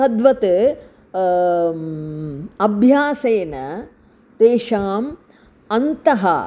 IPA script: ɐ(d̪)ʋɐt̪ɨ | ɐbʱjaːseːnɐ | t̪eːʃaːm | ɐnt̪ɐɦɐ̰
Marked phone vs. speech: correct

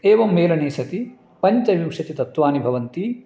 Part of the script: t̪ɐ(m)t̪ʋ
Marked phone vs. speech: incorrect: none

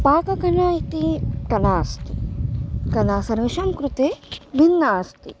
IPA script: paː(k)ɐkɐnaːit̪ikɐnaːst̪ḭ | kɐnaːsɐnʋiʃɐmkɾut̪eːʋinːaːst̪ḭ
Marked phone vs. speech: correct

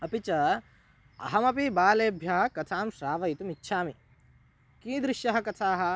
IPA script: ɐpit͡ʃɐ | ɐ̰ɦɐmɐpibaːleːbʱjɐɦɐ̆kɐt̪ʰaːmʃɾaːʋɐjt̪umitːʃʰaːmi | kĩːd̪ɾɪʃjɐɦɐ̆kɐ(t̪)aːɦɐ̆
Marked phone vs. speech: incorrect: t̪ʰ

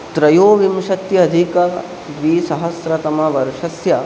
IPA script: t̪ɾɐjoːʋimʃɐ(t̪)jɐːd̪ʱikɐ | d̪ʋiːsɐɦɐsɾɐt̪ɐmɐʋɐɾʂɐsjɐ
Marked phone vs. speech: correct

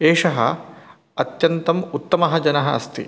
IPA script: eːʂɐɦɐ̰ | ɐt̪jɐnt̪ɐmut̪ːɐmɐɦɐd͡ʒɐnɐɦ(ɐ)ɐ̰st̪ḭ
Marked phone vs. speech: correct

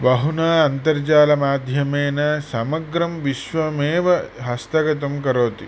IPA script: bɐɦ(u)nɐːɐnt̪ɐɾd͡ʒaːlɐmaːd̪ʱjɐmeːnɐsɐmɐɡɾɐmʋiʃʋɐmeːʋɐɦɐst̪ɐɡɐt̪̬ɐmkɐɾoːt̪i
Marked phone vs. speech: correct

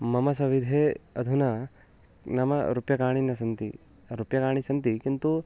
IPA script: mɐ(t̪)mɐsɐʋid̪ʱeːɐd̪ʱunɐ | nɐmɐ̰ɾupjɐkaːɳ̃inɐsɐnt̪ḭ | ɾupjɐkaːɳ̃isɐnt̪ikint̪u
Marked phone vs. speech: incorrect: none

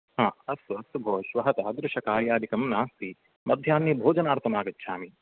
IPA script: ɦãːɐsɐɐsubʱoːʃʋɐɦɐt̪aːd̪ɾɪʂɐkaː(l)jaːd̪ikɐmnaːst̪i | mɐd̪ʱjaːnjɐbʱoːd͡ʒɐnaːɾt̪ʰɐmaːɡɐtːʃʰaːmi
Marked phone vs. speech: incorrect: ɾ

